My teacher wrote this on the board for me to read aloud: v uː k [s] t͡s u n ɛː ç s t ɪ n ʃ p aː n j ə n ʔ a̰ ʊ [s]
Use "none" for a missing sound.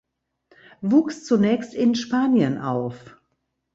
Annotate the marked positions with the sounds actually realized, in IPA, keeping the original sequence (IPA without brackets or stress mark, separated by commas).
s, f